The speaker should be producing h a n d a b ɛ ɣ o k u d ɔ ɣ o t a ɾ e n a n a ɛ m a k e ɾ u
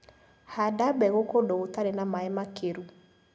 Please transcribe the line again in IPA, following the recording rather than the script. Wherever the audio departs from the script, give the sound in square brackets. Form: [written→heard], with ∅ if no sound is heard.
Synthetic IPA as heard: h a [n→∅] d a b ɛ ɣ o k [u→o] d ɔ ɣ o t a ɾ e n a [n→m] a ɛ m a k e ɾ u